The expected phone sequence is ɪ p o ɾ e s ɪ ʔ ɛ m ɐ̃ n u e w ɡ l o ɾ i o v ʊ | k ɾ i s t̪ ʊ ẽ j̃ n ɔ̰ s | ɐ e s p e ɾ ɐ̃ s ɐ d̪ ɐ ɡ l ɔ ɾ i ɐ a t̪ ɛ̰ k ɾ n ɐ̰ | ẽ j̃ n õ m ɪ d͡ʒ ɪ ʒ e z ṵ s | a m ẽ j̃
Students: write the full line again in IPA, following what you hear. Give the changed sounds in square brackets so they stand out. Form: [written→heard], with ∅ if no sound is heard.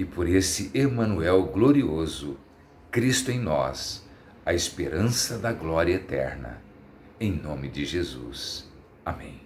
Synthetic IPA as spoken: ɪ p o ɾ e s ɪ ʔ [ɛ→e] m ɐ̃ n u [e→ɛ] w ɡ l o ɾ i o [v→z] ʊ | k ɾ i s t̪ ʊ ẽ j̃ n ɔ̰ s | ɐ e s p e ɾ ɐ̃ s ɐ d̪ ɐ ɡ l ɔ ɾ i ɐ [a→e] t̪ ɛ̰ [k→∅] ɾ n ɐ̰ | ẽ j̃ n õ m ɪ d͡ʒ ɪ ʒ e z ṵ s | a m ẽ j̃